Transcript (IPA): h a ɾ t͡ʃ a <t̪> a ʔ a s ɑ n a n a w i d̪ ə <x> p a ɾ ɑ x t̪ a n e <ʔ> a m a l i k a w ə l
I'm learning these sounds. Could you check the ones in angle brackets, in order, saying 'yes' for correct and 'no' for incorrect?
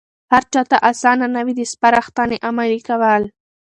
yes, no, yes

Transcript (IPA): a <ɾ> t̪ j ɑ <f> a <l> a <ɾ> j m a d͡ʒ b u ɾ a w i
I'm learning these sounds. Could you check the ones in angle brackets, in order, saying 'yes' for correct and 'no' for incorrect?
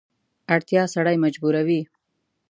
no, no, no, no

